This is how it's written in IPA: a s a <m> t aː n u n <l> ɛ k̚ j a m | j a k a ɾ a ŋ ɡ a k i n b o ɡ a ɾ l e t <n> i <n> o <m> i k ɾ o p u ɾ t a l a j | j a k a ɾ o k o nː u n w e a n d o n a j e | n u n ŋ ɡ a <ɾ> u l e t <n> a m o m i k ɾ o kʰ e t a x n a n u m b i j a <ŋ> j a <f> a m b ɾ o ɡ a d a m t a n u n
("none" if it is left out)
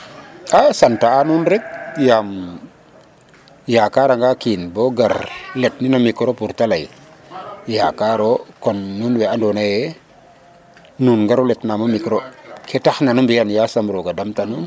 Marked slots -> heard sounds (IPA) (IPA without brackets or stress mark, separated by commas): n, ɾ, n, n, m, ɾ, n, n, s